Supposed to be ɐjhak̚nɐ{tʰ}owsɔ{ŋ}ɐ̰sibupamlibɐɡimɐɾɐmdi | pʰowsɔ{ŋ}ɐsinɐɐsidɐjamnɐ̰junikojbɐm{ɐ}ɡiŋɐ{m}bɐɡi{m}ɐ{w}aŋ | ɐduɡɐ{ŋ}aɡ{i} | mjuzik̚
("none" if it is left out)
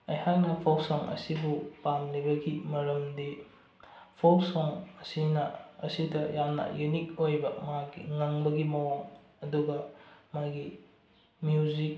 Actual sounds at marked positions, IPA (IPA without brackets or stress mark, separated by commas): pʰ, ŋ, ŋ, a, ŋ, m, w, m, i